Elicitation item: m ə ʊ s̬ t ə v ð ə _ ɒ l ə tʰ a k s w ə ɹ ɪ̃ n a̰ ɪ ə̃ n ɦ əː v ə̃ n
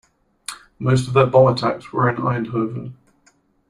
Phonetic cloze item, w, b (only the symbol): b